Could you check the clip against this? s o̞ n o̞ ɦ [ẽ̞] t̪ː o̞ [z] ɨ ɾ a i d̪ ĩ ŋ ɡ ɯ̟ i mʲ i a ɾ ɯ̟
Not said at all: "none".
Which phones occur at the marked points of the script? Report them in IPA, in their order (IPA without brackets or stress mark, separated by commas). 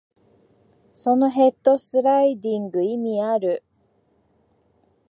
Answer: e̞, s